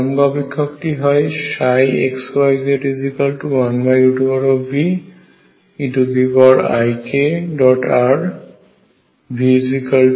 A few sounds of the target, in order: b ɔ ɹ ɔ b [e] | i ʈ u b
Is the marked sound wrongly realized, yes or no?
yes